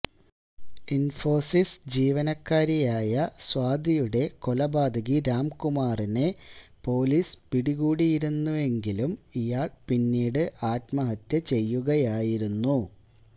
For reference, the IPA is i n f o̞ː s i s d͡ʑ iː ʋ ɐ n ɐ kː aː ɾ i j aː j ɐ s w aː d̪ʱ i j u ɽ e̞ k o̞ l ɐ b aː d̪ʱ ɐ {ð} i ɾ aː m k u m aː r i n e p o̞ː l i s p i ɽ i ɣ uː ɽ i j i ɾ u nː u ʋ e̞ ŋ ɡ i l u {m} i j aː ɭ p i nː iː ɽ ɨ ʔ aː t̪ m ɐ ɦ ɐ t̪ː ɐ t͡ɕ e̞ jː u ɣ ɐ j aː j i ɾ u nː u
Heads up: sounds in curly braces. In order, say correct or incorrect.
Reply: incorrect, correct

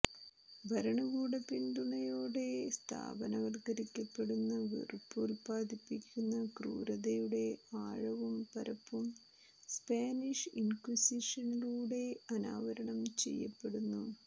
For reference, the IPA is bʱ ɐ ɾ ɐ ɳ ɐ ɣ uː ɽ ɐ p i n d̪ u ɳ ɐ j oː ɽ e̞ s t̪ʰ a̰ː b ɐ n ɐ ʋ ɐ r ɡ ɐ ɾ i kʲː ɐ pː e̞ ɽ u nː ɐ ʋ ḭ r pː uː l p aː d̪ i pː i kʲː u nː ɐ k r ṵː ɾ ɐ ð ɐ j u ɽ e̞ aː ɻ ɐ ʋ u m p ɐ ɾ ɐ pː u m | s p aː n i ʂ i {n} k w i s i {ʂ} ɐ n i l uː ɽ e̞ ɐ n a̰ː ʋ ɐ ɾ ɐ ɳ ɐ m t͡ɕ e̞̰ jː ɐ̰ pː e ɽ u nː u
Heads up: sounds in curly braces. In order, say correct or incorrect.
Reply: correct, correct

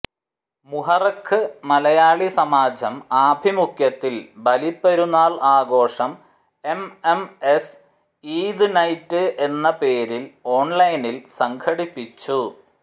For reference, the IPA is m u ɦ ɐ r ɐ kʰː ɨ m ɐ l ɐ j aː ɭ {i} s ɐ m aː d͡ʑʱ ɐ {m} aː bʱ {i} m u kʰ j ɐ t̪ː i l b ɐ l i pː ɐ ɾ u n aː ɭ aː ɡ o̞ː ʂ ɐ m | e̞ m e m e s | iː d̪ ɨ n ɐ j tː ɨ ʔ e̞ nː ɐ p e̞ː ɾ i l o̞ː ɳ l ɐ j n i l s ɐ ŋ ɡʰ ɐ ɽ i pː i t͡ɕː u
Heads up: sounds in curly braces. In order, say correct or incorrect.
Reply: correct, correct, correct

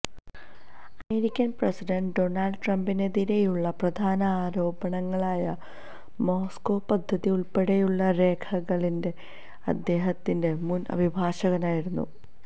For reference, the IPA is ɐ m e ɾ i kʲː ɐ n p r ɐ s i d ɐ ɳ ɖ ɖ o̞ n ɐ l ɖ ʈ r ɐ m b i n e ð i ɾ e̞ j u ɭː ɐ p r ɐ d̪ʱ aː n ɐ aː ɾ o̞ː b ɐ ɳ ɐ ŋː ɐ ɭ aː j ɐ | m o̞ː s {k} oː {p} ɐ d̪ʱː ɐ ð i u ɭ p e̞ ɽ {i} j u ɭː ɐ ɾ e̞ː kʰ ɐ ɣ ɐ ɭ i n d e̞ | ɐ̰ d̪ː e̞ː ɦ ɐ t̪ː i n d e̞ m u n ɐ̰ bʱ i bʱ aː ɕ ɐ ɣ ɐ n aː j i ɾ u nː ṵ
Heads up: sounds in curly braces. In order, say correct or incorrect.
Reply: correct, correct, incorrect

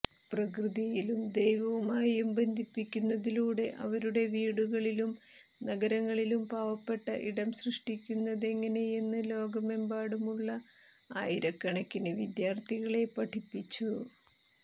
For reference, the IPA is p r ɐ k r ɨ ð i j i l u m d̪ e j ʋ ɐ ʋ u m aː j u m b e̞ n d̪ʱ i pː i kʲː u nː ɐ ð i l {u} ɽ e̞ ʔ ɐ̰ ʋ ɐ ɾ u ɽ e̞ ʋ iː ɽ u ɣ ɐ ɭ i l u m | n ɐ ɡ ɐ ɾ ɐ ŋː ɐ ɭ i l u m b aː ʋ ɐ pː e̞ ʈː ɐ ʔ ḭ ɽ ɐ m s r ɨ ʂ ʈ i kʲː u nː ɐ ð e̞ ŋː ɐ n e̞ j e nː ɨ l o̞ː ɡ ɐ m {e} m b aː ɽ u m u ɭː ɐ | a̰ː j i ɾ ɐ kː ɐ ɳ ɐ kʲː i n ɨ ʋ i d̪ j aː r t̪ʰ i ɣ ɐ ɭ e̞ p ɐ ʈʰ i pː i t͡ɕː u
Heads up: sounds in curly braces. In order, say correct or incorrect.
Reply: incorrect, correct

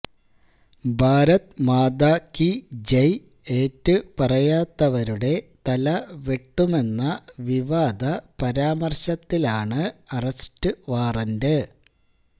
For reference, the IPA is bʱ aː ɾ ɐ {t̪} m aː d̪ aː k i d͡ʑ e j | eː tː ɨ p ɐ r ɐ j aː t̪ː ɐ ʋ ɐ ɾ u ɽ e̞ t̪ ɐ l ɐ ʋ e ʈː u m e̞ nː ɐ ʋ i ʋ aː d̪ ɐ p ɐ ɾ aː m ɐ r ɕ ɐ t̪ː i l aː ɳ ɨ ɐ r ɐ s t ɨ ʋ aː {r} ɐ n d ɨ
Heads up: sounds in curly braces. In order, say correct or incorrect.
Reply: correct, correct

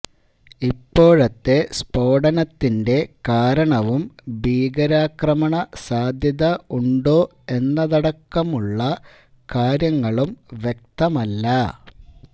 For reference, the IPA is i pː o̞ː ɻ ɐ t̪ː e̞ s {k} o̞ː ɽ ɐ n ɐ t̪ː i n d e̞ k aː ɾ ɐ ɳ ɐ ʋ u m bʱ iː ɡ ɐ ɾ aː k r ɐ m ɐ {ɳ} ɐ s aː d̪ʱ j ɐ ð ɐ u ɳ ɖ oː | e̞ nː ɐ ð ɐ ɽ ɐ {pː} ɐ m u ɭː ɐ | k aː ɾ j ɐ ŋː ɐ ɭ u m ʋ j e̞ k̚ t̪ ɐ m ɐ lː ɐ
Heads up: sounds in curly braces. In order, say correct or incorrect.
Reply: incorrect, correct, incorrect

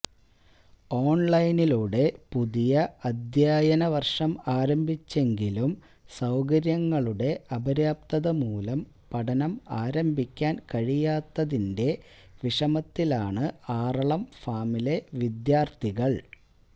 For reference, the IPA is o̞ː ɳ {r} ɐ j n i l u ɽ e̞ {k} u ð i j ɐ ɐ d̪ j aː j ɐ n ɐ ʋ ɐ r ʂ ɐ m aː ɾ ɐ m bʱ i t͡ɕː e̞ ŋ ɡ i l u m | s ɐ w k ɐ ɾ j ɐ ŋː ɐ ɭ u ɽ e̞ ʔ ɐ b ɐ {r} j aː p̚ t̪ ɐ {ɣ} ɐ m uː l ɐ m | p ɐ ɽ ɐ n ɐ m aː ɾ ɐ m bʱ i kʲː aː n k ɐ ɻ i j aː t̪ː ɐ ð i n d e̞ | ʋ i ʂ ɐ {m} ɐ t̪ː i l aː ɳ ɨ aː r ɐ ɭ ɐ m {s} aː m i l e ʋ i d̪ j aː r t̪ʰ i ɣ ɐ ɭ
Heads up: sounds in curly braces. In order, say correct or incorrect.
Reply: incorrect, incorrect, incorrect, incorrect, correct, incorrect

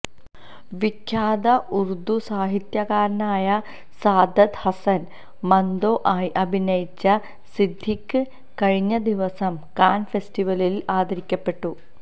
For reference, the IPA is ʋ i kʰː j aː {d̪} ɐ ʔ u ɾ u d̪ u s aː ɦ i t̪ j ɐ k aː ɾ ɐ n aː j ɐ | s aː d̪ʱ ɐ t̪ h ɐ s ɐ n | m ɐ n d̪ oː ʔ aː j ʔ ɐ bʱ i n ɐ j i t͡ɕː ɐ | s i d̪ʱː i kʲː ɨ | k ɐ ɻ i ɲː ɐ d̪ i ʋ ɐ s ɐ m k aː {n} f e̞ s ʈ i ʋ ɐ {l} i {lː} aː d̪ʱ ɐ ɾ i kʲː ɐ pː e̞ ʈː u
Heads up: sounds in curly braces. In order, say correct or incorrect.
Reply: correct, correct, correct, incorrect

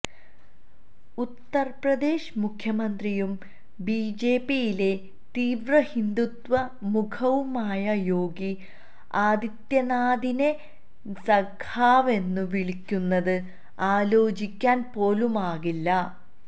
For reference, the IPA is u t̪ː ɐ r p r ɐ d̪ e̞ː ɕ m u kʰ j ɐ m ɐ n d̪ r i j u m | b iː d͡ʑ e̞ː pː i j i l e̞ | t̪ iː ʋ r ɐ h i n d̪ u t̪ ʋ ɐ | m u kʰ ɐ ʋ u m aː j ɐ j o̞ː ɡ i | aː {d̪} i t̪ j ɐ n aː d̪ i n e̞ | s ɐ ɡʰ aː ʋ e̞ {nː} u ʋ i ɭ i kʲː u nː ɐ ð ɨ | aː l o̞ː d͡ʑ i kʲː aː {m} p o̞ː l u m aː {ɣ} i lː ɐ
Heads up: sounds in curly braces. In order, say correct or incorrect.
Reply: correct, correct, incorrect, correct

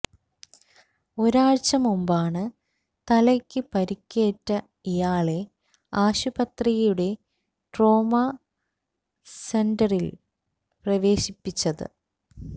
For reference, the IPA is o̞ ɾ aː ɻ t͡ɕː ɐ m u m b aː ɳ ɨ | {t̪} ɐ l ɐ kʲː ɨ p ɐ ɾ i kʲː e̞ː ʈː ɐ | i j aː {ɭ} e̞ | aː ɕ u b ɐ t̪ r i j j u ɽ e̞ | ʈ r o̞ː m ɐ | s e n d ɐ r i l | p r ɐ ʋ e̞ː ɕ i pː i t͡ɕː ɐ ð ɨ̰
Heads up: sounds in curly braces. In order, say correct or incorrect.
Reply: correct, correct

